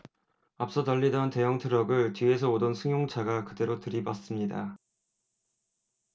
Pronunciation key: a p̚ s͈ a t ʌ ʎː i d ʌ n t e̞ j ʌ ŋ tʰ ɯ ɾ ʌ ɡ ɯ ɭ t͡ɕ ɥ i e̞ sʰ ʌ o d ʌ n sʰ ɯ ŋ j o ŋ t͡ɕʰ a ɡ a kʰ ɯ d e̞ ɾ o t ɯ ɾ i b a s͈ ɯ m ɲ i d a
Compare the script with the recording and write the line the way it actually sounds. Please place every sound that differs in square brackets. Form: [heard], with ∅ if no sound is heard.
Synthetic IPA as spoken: a p̚ s͈ [ʌ] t ʌ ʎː i d ʌ n t e̞ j ʌ ŋ tʰ ɯ ɾ ʌ ɡ ɯ ɭ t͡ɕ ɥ i e̞ sʰ ʌ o d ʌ n sʰ ɯ ŋ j o ŋ t͡ɕʰ a ɡ a [k] ɯ d e̞ ɾ o t ɯ ɾ i b a s͈ ɯ m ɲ i d a